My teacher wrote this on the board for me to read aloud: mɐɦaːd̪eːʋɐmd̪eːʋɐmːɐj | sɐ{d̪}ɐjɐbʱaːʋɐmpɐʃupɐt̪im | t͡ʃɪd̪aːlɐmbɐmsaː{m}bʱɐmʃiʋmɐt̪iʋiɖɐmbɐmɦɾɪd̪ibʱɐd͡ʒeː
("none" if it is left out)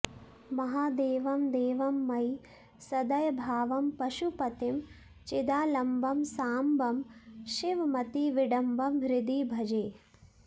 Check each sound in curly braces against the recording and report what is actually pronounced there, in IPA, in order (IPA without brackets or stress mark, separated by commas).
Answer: d̪, m